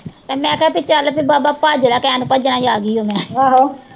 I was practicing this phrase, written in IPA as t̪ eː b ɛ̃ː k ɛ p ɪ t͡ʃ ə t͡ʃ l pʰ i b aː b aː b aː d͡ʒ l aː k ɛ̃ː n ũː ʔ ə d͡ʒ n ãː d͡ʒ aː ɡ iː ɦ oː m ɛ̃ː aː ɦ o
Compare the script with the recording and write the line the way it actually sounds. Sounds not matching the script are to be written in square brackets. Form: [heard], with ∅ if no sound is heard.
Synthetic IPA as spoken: t̪ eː [m] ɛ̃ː k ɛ p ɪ t͡ʃ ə [∅] l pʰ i b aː b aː [p] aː d͡ʒ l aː k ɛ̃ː n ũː [p] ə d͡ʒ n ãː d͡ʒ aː ɡ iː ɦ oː m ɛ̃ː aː ɦ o